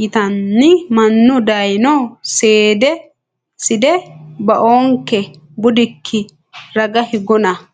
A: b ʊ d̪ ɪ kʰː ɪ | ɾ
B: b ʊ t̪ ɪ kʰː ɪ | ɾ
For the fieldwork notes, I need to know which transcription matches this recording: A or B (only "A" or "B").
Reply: A